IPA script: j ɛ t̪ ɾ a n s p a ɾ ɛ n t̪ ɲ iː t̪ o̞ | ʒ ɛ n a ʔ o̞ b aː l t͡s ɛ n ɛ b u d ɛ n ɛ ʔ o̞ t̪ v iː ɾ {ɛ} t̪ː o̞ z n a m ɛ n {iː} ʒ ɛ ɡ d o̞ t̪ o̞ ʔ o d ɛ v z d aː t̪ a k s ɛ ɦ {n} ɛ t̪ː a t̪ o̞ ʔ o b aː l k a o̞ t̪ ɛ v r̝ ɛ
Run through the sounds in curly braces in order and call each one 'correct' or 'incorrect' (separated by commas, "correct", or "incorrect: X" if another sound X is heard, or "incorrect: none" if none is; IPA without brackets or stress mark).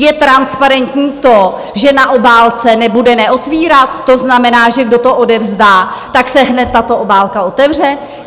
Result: incorrect: a, incorrect: aː, correct